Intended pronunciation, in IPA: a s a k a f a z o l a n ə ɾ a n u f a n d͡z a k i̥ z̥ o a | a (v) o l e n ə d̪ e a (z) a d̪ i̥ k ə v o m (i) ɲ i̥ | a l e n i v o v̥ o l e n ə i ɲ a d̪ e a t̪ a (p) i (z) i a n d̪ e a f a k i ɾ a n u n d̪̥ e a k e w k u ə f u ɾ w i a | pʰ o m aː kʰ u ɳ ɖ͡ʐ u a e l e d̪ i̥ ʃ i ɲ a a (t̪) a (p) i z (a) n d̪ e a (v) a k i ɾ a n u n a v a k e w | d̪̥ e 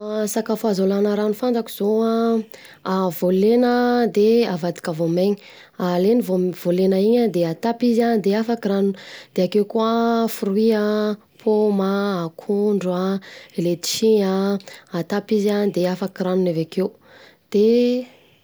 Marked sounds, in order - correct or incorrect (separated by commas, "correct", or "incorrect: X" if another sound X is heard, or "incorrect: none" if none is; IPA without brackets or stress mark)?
correct, incorrect: v, incorrect: e, correct, correct, correct, correct, correct, incorrect: f